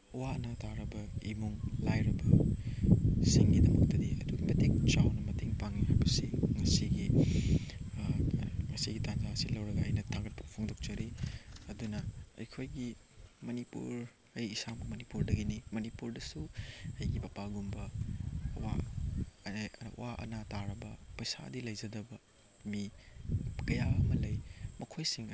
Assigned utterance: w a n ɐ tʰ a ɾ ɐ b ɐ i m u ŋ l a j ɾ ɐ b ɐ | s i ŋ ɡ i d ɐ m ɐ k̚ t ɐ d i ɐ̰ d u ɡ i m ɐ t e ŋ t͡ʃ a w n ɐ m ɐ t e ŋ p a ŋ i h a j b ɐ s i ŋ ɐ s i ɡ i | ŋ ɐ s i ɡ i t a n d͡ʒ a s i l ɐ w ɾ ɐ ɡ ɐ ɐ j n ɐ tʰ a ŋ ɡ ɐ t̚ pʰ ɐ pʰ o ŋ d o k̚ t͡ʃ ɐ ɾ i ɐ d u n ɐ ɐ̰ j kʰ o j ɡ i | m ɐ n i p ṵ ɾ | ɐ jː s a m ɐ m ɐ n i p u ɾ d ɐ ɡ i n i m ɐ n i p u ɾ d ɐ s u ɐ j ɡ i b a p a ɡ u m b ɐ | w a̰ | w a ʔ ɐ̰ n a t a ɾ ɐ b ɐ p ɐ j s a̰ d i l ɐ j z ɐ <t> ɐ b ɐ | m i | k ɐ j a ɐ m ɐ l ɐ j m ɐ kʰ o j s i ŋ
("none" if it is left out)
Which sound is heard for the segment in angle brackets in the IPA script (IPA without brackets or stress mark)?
d